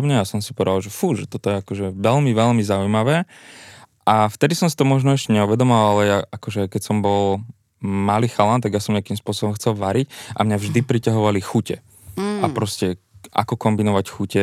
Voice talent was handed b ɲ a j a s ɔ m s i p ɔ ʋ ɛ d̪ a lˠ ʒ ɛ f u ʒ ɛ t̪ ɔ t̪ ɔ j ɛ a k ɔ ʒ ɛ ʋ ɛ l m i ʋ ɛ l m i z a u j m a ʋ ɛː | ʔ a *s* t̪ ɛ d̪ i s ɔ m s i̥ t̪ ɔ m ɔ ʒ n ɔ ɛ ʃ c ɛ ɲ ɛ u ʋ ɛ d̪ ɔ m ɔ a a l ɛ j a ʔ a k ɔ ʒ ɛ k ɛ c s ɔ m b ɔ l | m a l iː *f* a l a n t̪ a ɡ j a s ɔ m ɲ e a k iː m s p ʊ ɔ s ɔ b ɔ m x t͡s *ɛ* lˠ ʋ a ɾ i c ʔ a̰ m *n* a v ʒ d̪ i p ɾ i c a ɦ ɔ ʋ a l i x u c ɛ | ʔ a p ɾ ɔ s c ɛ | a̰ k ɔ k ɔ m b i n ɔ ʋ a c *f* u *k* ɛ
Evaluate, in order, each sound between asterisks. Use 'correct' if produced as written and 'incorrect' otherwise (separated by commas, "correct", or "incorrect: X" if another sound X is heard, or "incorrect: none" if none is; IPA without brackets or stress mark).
incorrect: f, incorrect: x, correct, incorrect: ɲ, incorrect: x, incorrect: c